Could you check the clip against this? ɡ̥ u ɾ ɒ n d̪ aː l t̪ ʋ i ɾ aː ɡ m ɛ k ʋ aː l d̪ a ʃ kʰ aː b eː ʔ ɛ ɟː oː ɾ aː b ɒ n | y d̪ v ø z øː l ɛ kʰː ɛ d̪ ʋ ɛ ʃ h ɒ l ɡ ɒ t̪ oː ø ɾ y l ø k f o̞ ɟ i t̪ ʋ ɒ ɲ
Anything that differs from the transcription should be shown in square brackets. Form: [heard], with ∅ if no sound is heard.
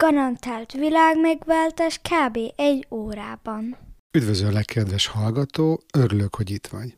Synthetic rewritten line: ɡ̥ [ɒ] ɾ ɒ n [t̪] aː l t̪ ʋ i [l] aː ɡ m ɛ [ɡ] ʋ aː l [t̪] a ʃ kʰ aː b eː ʔ ɛ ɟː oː ɾ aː b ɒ n | y d̪ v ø z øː l ɛ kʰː ɛ d̪ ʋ ɛ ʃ h ɒ l ɡ ɒ t̪ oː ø ɾ y l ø k [h] o̞ ɟ i t̪ ʋ ɒ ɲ